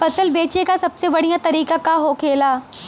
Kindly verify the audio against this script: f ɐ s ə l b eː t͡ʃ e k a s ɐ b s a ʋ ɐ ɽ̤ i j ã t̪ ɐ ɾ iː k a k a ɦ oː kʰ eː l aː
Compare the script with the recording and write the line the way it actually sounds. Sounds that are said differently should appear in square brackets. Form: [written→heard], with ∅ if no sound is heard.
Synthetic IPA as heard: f ɐ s ə l b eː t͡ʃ e k a s ɐ b s [a→e] ʋ ɐ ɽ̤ i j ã t̪ ɐ ɾ iː k a k a ɦ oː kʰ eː l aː